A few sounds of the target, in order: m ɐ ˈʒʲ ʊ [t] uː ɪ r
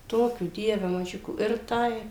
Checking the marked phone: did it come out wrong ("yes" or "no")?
yes